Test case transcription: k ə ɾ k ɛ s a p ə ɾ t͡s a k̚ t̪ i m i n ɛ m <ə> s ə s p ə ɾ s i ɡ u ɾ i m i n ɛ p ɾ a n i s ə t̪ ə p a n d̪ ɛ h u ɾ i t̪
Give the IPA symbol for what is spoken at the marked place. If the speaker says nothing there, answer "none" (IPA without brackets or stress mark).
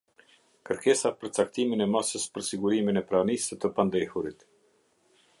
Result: a